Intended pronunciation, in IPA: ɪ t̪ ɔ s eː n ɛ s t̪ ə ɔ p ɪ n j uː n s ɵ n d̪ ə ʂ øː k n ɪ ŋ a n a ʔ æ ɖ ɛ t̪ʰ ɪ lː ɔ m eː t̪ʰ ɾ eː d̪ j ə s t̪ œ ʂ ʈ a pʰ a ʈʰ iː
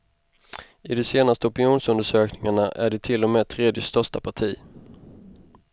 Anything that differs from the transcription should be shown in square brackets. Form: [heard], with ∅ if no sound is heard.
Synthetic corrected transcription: ɪ [d̪] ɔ s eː n [a] s t̪ ə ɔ p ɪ n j uː n s ɵ n d̪ ə ʂ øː k n ɪ ŋ a [ɳ] a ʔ æ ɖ ɛ t̪ʰ ɪ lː ɔ m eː t̪ʰ ɾ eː d̪ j ə s t̪ œ ʂ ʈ a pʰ a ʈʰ iː